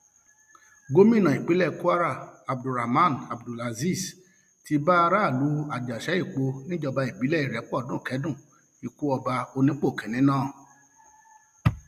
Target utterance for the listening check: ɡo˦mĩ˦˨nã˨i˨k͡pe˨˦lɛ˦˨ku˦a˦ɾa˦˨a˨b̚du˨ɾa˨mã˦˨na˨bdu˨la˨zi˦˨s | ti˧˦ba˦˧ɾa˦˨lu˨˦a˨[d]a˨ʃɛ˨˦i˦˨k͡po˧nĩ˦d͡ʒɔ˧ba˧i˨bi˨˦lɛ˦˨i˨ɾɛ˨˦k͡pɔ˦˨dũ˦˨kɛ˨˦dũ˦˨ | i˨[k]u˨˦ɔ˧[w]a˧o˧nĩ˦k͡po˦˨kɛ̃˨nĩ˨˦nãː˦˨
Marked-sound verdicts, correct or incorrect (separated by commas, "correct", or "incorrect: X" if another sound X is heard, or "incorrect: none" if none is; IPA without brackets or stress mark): incorrect: d͡ʒ, correct, incorrect: b